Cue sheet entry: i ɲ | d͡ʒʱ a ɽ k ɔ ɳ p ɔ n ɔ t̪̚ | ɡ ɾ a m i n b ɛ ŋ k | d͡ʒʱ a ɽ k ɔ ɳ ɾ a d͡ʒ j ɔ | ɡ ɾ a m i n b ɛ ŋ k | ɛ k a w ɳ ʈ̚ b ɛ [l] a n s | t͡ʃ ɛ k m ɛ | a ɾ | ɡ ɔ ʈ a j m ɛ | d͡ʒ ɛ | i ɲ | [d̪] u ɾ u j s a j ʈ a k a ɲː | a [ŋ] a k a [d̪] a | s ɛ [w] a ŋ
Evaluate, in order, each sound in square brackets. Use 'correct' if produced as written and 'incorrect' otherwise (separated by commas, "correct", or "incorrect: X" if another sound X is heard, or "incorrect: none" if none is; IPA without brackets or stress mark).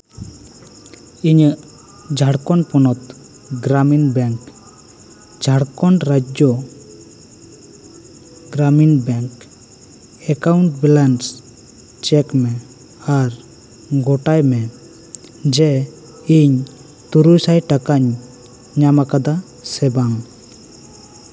correct, incorrect: t̪, incorrect: m, correct, incorrect: b